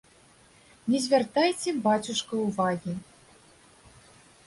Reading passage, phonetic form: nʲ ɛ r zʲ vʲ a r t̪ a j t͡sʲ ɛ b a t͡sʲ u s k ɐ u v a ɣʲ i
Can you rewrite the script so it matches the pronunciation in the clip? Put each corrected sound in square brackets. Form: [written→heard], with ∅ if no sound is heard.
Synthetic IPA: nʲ ɛ [r→∅] zʲ vʲ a r t̪ a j t͡sʲ ɛ b a t͡sʲ u [s→ʂ] k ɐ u v a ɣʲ i